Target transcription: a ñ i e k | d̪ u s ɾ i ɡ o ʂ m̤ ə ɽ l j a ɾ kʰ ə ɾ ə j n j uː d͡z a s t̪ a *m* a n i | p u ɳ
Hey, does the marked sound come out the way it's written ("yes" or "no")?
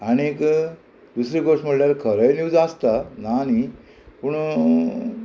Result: no